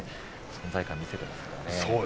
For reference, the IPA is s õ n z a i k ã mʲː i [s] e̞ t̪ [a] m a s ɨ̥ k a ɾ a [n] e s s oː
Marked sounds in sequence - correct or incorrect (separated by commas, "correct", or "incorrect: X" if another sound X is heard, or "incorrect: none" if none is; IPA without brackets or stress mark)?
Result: correct, incorrect: e, correct